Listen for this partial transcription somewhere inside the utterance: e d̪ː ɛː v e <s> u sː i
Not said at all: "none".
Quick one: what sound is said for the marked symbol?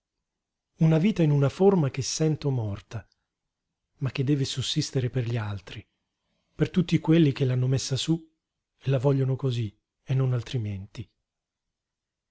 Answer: s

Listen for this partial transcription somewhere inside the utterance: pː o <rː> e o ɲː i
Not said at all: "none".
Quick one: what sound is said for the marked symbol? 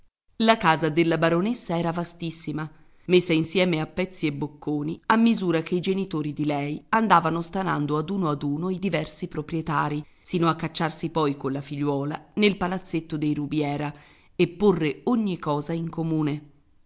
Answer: rː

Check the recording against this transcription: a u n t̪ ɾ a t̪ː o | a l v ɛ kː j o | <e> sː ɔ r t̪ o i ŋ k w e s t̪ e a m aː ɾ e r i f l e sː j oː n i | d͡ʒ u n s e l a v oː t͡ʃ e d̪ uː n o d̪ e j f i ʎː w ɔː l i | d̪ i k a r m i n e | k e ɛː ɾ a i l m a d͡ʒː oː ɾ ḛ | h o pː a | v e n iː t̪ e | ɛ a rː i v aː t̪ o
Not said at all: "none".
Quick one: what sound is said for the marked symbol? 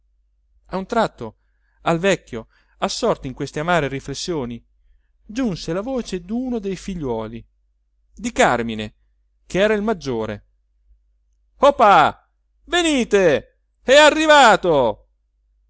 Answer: a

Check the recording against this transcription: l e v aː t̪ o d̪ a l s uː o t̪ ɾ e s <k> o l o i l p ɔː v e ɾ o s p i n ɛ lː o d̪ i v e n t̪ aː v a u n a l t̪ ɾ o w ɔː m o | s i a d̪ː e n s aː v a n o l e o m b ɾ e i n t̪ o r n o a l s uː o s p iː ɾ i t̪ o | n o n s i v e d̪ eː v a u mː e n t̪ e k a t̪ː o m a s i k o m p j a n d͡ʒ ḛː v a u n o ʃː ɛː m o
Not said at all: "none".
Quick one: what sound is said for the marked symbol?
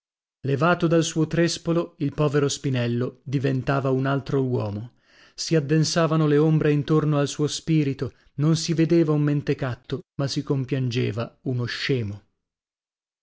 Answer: p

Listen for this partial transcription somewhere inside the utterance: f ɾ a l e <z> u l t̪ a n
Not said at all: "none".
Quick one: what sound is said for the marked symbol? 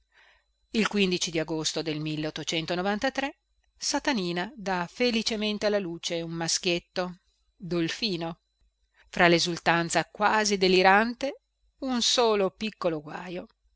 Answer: z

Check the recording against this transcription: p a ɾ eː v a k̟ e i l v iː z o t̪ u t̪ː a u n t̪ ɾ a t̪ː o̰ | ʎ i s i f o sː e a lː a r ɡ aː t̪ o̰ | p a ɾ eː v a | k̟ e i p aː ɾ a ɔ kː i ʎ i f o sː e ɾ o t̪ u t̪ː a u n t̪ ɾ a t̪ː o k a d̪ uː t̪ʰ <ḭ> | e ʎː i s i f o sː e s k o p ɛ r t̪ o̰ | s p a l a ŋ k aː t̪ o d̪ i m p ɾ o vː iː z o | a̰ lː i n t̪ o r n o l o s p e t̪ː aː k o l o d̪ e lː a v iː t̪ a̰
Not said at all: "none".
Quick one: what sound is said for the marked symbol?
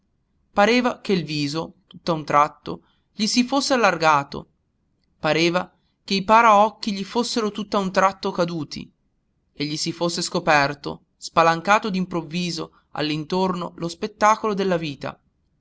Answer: ḭ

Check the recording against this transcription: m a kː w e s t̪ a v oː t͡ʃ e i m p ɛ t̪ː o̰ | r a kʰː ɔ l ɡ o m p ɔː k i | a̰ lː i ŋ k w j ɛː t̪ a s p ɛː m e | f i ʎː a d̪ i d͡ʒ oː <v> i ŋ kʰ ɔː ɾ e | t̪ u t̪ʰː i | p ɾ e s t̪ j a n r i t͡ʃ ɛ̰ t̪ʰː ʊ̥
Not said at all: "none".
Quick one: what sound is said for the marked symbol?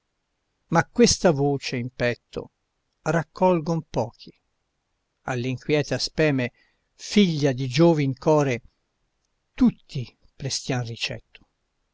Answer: v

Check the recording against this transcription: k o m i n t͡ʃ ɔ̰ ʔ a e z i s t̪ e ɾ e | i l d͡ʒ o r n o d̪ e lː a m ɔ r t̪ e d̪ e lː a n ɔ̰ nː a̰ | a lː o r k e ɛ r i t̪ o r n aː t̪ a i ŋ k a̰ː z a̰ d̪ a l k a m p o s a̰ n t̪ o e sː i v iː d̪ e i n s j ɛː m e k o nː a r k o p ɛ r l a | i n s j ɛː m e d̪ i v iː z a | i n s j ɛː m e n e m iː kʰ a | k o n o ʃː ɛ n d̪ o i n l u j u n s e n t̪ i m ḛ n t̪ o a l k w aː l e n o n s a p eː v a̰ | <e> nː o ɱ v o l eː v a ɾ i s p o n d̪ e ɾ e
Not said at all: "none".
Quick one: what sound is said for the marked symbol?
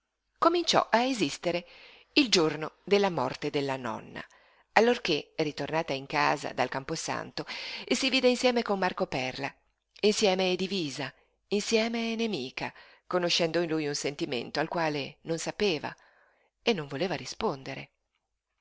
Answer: e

